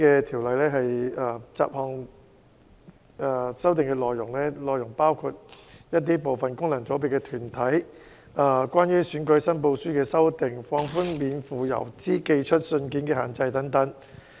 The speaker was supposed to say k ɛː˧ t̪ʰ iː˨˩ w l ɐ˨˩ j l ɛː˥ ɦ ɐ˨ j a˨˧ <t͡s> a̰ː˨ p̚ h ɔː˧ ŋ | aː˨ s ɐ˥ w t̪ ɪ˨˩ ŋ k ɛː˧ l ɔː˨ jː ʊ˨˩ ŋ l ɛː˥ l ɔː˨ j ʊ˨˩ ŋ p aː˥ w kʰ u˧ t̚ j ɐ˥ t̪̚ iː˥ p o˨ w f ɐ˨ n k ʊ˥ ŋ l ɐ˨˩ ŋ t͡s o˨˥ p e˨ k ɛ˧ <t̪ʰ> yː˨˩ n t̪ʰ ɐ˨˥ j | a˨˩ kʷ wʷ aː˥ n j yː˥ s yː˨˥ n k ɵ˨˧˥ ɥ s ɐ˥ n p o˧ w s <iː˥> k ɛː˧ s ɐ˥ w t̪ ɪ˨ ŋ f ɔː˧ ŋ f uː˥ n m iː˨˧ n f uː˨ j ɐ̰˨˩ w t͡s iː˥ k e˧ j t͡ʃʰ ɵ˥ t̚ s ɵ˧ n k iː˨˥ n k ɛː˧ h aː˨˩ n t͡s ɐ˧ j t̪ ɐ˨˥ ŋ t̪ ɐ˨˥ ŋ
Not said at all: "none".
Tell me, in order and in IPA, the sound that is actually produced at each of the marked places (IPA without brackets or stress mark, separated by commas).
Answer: t͡s, t̪ʰ, yː˥